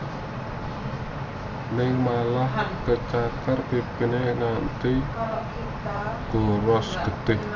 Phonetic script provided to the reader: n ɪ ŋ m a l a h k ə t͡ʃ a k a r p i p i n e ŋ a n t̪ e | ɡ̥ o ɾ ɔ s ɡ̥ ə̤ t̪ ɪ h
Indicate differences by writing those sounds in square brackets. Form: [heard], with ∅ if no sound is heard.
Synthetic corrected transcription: n ɪ ŋ m a l a h k ə t͡ʃ a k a r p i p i n e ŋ a n t̪ [i] | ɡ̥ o ɾ ɔ s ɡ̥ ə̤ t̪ ɪ h